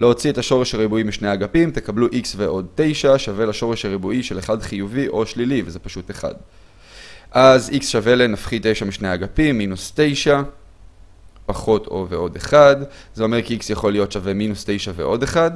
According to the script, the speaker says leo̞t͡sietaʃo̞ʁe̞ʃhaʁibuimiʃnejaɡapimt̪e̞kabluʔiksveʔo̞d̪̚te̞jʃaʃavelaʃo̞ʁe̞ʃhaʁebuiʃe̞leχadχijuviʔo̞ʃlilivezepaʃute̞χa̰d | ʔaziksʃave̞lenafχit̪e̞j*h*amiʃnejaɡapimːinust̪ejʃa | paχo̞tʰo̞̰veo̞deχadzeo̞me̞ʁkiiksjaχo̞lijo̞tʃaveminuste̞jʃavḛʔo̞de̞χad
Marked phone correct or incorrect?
incorrect